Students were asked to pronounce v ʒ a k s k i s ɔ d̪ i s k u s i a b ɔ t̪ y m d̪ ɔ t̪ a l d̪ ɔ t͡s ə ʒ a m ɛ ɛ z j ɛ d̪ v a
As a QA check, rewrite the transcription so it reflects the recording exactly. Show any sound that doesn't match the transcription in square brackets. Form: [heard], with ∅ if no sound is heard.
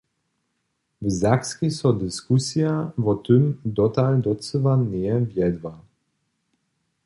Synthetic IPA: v [z] a k s k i s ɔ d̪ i s k u s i a [v] ɔ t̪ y m d̪ ɔ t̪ a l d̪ ɔ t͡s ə [v] a [n] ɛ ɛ [v] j ɛ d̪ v a